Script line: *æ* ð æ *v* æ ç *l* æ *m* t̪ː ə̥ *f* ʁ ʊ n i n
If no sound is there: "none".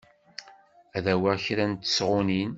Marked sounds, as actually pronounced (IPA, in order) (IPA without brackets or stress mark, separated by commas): æ, w, ɾ, n, s